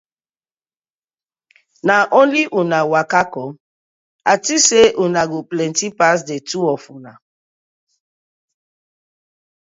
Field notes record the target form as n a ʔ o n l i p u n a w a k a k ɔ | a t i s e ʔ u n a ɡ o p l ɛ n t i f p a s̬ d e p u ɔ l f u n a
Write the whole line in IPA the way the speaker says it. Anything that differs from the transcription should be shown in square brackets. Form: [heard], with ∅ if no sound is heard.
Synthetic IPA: n a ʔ o n l i [ʔ] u n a w a k a k ɔ | a t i s e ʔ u n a ɡ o p l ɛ n t i [∅] p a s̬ d e [t] u ɔ [∅] f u n a